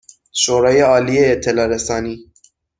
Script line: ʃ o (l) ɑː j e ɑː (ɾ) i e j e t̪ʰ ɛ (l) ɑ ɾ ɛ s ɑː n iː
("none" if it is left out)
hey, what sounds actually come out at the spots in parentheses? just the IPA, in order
ɾ, l, l

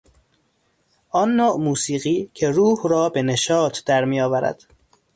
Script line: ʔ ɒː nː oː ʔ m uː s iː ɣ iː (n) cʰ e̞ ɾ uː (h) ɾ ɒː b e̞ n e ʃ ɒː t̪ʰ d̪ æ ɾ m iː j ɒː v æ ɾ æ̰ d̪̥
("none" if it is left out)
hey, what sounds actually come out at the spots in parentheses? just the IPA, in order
none, h

